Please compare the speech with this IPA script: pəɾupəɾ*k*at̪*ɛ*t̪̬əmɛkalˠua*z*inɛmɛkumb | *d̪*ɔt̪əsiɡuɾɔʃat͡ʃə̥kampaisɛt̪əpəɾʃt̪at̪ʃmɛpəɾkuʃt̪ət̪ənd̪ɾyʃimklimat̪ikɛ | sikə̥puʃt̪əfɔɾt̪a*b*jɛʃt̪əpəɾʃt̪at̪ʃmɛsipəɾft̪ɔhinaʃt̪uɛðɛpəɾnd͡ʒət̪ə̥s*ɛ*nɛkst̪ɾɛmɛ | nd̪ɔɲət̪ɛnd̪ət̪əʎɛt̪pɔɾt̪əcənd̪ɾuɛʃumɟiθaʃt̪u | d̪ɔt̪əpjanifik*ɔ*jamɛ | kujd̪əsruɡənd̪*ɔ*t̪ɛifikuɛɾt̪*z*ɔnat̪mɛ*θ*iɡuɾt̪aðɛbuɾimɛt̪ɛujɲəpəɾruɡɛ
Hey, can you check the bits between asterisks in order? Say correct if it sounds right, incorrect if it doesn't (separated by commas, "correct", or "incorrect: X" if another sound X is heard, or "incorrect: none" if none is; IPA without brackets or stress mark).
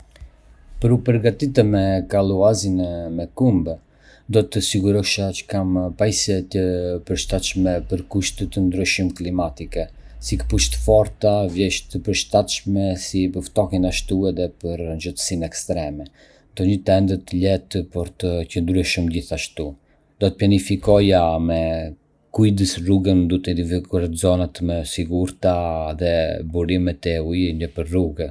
incorrect: ɡ, incorrect: i, correct, correct, incorrect: v, incorrect: i, correct, incorrect: u, correct, incorrect: s